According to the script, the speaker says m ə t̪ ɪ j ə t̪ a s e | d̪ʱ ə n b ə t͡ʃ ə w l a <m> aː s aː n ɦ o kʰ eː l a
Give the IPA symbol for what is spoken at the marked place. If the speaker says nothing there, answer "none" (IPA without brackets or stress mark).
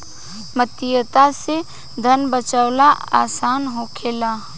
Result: none